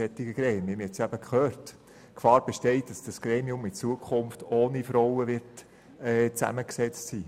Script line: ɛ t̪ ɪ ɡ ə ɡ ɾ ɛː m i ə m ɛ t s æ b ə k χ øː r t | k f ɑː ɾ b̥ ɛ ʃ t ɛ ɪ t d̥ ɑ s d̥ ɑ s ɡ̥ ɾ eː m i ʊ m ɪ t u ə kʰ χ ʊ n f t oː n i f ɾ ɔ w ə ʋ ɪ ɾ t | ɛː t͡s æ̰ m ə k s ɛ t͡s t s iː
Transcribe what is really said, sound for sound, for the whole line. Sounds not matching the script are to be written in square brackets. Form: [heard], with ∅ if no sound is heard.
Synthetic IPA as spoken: ɛ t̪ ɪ ɡ ə ɡ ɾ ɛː m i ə m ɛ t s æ b ə k χ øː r t | k f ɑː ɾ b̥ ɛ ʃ t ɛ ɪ t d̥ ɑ s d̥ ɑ s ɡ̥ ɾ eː m i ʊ m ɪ [t͡s] u ə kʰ χ ʊ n f t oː n i f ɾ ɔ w ə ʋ ɪ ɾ t | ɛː t͡s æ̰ m ə k s ɛ t͡s t s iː